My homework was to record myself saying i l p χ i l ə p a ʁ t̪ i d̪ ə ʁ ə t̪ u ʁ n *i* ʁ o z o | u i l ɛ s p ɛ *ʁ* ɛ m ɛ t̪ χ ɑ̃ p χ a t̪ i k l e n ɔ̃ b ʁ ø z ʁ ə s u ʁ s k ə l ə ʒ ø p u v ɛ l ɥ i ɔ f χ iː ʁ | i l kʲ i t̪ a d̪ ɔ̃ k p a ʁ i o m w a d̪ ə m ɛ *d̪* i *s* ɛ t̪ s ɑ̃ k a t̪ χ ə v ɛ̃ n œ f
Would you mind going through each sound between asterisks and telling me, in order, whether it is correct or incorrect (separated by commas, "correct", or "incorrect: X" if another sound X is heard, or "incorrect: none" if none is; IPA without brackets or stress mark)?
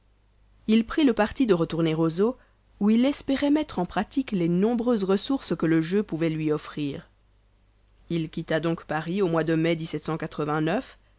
incorrect: e, correct, correct, correct